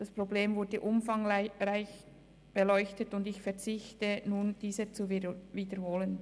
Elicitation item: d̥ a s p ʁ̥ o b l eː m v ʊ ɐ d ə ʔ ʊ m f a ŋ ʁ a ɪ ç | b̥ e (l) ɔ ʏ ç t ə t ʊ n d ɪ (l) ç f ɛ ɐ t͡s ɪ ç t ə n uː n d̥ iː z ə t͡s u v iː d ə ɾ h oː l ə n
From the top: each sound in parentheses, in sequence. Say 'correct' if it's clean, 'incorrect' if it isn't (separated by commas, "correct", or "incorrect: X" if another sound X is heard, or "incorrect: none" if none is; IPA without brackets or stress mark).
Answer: correct, incorrect: none